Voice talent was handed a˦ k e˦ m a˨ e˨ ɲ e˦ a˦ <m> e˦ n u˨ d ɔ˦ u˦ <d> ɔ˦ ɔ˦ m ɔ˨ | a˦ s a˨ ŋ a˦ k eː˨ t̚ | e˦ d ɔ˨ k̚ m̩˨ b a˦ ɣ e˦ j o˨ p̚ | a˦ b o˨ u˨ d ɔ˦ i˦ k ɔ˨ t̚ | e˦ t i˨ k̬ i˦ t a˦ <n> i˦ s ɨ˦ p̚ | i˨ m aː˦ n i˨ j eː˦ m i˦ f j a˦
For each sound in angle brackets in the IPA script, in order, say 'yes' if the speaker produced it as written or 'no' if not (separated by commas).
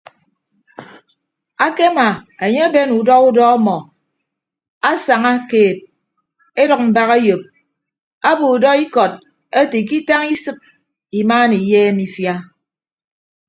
no, yes, no